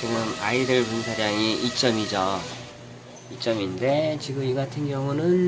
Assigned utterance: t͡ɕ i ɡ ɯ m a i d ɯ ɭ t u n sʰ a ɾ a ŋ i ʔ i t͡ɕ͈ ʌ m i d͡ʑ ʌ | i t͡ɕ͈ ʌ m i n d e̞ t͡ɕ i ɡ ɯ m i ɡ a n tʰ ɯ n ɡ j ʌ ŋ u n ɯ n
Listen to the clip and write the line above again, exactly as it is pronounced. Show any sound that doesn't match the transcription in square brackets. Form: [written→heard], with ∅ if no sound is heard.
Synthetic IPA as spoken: t͡ɕ i ɡ ɯ m a i d ɯ ɭ [t→p] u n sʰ a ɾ a ŋ i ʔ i t͡ɕ͈ ʌ m i d͡ʑ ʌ | i t͡ɕ͈ ʌ m i n d e̞ t͡ɕ i ɡ ɯ m i ɡ a [n→∅] tʰ ɯ n ɡ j ʌ ŋ u n ɯ n